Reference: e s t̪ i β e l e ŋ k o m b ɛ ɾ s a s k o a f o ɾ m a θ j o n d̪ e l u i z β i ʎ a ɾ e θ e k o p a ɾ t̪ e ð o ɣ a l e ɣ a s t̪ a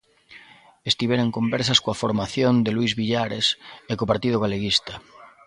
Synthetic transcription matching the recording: e s t̪ i β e ɾ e ŋ k o m b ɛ ɾ s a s k o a f o ɾ m a θ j o n d̪ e l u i z β i ʎ a ɾ e s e k o p a ɾ t̪ i ð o ɣ a l e ɣ i s t̪ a